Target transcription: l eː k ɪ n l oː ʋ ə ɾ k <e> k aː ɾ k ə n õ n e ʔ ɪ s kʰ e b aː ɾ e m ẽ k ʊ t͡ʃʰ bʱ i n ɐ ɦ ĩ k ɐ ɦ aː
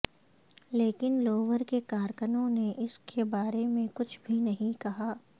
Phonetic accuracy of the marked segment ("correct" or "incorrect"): correct